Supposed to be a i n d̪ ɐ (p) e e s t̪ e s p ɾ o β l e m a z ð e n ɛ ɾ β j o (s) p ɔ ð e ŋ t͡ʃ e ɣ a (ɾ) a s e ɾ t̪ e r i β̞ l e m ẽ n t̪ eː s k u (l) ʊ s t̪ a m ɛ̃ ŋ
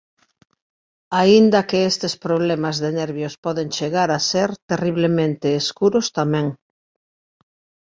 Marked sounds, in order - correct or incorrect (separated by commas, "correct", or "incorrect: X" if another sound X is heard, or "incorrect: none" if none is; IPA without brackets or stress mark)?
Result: incorrect: k, correct, correct, incorrect: ɾ